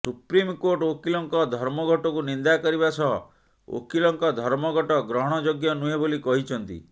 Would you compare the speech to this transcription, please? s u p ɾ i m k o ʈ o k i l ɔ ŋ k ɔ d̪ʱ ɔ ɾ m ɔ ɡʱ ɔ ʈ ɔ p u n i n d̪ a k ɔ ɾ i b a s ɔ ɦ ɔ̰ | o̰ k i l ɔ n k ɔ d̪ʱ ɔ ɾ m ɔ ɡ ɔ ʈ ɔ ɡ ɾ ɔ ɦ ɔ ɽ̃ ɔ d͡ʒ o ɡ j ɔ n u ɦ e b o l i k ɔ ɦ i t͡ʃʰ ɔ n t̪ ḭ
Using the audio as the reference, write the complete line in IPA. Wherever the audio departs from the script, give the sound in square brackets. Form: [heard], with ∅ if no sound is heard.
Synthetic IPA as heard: s u p ɾ i m k o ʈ o k i l ɔ ŋ k ɔ d̪ʱ ɔ ɾ m ɔ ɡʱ ɔ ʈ ɔ [k] u n i n d̪ a k ɔ ɾ i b a s ɔ ɦ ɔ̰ | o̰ k i l ɔ [ŋ] k ɔ d̪ʱ ɔ ɾ m ɔ ɡ ɔ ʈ ɔ ɡ ɾ ɔ ɦ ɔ ɽ̃ ɔ d͡ʒ o ɡ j ɔ n u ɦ e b o l i k ɔ ɦ i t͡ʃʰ ɔ n t̪ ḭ